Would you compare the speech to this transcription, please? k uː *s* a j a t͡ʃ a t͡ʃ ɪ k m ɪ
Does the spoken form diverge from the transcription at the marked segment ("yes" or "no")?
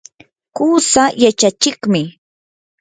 no